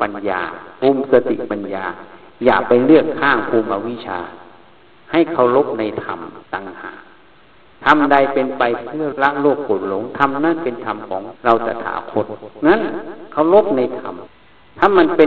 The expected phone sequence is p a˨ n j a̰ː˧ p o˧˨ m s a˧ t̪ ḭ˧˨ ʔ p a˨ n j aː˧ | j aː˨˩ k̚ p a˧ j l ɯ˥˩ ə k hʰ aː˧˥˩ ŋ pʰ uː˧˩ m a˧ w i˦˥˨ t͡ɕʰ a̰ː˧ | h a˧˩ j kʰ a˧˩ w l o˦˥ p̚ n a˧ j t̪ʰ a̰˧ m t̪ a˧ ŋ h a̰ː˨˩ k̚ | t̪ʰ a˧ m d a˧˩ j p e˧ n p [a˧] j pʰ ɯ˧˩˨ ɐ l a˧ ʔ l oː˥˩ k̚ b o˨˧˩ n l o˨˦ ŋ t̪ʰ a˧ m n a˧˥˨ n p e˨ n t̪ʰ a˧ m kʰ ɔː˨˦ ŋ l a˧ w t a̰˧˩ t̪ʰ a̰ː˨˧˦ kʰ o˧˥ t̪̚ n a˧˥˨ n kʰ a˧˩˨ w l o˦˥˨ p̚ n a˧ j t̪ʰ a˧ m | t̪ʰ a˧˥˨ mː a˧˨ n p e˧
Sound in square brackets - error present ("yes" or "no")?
no